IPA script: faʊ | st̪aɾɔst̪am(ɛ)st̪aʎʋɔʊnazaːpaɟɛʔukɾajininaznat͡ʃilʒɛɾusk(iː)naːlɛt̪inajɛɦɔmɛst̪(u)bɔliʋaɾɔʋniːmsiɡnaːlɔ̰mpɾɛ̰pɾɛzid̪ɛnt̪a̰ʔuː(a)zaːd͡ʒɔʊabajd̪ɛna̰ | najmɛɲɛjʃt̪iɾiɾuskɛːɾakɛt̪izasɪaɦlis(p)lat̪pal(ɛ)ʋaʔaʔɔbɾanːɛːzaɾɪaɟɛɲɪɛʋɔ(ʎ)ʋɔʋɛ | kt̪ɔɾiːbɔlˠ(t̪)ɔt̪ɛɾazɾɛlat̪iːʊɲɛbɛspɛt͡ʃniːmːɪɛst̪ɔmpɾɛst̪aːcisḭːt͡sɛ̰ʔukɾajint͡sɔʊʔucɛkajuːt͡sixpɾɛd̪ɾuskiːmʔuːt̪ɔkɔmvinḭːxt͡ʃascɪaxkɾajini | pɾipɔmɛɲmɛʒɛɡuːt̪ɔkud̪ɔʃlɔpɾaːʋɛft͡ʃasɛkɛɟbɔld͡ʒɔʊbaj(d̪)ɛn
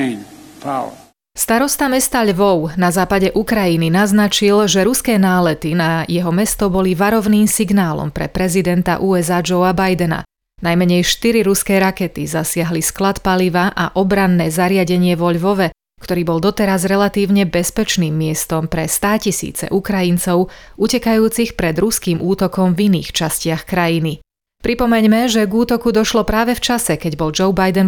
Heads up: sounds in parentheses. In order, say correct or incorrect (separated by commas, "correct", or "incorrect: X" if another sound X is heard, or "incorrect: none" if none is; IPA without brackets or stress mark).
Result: correct, incorrect: ɛː, incorrect: ɔ, incorrect: ɛ, incorrect: k, incorrect: i, correct, incorrect: d̪, correct